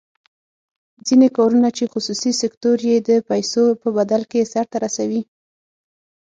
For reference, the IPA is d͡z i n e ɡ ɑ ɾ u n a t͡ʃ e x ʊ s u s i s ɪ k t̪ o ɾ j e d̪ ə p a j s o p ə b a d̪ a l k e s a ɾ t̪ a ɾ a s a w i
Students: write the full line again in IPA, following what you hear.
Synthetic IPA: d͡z i n e k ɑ ɾ u n a t͡ʃ e x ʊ s u s i s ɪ k t̪ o ɾ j e d̪ ə p a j s o p ə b a d̪ a l k e s a ɾ t̪ a ɾ a s a w i